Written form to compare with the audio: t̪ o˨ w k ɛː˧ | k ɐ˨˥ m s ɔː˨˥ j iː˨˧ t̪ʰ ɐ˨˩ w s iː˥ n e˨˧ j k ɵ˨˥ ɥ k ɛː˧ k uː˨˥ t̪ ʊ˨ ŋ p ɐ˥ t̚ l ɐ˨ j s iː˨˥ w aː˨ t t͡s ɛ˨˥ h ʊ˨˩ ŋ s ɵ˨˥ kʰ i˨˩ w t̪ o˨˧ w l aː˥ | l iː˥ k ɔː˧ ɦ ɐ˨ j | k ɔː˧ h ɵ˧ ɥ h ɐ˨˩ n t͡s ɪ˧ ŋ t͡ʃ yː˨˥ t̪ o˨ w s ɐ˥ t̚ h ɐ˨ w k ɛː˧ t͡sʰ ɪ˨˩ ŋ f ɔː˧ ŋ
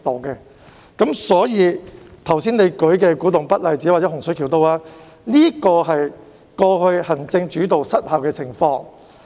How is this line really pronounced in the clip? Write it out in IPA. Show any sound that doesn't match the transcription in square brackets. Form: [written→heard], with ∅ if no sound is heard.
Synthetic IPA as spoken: t̪ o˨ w k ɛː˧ | k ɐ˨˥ m s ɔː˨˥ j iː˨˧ t̪ʰ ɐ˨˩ w s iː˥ n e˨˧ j k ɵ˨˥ ɥ k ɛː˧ k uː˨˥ t̪ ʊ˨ ŋ p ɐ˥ t̚ l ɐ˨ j [s→t͡s] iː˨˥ w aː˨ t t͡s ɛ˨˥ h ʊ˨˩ ŋ s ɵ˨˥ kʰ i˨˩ w t̪ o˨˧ w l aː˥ | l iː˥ k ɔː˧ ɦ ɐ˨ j | k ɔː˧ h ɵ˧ ɥ h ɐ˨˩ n t͡s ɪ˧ ŋ t͡ʃ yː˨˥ t̪ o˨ w s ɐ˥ t̚ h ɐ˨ w k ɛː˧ t͡sʰ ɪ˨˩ ŋ f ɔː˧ ŋ